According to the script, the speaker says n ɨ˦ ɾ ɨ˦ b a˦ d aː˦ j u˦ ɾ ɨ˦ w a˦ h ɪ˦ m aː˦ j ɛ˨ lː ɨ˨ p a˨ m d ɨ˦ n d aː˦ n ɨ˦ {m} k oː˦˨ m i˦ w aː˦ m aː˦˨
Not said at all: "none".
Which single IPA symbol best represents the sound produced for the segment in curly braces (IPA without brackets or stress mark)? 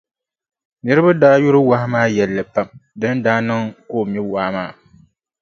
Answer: ŋ